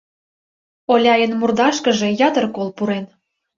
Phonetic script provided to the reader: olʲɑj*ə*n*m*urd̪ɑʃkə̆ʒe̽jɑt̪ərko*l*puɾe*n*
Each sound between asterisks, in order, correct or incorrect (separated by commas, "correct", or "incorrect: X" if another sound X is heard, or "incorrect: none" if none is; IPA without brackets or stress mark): correct, correct, correct, correct